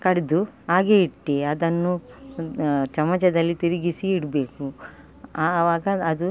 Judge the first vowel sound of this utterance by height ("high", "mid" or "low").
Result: low